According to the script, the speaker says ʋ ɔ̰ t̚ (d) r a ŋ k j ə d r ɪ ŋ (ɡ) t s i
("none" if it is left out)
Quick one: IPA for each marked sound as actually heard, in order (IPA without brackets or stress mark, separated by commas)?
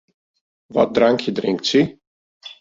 d, k